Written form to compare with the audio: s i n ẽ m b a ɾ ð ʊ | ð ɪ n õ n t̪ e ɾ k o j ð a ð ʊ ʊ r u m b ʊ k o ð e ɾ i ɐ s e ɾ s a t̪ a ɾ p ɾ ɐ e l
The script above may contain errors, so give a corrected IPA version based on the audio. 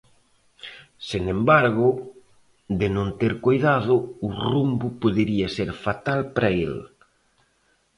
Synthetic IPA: s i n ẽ m b a ɾ ɣ ʊ | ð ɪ n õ n t̪ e ɾ k o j ð a ð ʊ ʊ r u m b ʊ p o ð e ɾ i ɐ s e ɾ f a t̪ a l p ɾ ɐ e l